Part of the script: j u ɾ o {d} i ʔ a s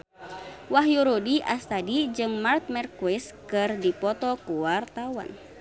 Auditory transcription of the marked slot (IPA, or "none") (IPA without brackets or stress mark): d